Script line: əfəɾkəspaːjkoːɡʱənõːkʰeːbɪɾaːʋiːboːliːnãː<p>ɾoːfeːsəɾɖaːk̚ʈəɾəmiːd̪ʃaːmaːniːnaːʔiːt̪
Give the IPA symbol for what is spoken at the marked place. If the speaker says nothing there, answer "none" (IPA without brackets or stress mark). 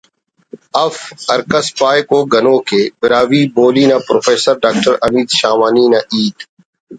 p